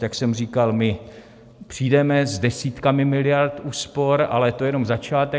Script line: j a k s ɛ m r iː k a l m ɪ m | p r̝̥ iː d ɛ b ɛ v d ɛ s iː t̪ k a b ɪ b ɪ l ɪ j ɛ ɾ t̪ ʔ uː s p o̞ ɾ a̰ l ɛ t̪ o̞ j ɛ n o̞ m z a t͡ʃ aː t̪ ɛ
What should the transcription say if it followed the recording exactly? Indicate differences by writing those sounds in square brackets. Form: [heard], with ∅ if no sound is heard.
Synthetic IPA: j a k s ɛ m r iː k a l m ɪ [∅] | p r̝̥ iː d ɛ [m] ɛ [z] d ɛ s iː t̪ k a [m] ɪ [m] ɪ l ɪ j [a] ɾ t̪ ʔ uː s p o̞ ɾ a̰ l ɛ t̪ o̞ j ɛ n o̞ m z a t͡ʃ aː t̪ ɛ